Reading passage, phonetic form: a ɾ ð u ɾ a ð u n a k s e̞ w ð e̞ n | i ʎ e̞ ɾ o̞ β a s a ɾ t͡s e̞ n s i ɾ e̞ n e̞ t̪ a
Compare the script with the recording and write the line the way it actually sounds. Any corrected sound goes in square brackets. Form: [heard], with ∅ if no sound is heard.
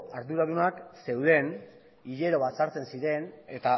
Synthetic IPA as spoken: a ɾ ð u ɾ a ð u n a k s e̞ w ð e̞ n | i ʎ e̞ ɾ o̞ β a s a ɾ t͡s e̞ n s i ɾ e̞ n e̞ t̪ a